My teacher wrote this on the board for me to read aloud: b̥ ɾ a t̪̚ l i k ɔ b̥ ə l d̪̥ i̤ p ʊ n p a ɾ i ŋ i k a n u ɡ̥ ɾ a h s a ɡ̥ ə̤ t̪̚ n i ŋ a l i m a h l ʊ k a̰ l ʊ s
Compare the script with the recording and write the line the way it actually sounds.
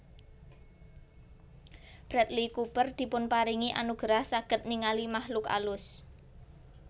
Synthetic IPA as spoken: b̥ ɾ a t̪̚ l i k u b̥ ə r d̪̥ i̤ p ʊ n p a ɾ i ŋ i ʔ a n u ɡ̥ ɾ a h s a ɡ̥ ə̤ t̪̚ n i ŋ a l i m a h l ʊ k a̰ l ʊ s